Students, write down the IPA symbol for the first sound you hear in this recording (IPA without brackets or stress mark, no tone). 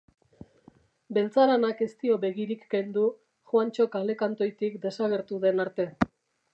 b